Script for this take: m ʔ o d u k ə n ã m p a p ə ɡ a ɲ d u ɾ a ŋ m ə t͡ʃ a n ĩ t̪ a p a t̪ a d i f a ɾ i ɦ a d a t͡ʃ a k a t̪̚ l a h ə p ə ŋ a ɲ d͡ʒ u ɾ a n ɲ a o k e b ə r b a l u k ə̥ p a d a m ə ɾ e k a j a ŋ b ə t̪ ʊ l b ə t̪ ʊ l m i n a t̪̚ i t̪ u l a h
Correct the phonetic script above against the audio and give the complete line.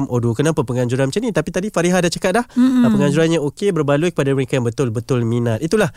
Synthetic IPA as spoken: m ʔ o d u k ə n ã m p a p ə ŋ a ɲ d͡ʒ u ɾ a n m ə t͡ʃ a n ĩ t̪ a p i t̪ a d i f a ɾ i ɦ a d a t͡ʃ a k a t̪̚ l a h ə p ə ŋ a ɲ d͡ʒ u ɾ a n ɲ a o k e b ə r b a l u k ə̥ p a d a m ə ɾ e k a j a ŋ b ə t̪ ʊ l b ə t̪ ʊ l m i n a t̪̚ i t̪ u l a h